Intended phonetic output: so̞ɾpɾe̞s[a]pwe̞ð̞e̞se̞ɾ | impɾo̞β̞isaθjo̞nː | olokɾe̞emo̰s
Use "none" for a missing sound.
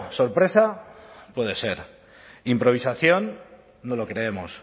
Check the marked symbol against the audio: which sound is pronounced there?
a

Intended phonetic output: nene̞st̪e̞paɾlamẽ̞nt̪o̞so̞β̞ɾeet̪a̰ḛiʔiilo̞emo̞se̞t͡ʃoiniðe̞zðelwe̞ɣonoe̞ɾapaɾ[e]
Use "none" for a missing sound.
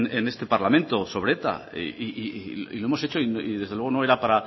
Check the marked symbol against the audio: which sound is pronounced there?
a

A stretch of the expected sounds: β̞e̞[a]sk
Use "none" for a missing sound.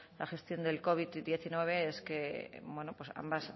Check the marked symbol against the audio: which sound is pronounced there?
e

